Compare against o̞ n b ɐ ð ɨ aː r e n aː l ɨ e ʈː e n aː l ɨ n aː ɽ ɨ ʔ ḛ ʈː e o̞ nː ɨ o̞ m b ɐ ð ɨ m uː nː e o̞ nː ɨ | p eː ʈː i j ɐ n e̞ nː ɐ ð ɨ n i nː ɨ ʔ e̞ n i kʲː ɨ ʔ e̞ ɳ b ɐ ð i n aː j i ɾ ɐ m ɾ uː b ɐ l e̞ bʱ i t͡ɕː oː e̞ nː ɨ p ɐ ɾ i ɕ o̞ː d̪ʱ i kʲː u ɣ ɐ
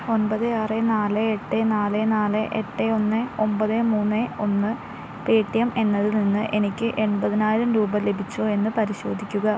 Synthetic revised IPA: o̞ n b ɐ ð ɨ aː r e n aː l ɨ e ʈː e n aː l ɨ n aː l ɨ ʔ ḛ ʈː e o̞ nː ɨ o̞ m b ɐ ð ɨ m uː nː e o̞ nː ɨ | p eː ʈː i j ɐ m e̞ nː ɐ ð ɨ n i nː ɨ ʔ e̞ n i kʲː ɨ ʔ e̞ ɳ b ɐ ð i n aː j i ɾ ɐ m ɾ uː b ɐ l e̞ bʱ i t͡ɕː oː e̞ nː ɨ p ɐ ɾ i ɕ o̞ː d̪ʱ i kʲː u ɣ ɐ